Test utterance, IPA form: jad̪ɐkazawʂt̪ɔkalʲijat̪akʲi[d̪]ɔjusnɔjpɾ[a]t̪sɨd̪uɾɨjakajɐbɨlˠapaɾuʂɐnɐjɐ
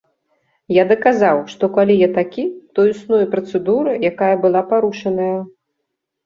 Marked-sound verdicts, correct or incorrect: incorrect: t̪, incorrect: ɐ

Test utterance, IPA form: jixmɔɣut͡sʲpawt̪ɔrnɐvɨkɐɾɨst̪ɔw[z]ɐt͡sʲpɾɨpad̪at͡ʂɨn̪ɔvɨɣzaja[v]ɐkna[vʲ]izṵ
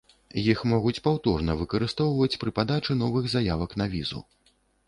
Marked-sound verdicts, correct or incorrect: incorrect: v, correct, correct

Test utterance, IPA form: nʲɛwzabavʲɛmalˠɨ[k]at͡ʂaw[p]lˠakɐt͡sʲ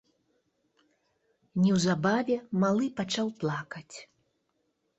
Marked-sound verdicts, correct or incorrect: incorrect: p, correct

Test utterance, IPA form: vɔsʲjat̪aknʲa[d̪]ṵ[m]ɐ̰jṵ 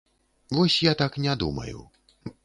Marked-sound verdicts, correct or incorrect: correct, correct

